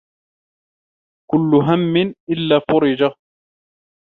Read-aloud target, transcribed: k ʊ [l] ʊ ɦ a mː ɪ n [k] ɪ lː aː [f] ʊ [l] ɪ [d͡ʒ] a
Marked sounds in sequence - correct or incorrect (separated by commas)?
incorrect, incorrect, correct, incorrect, correct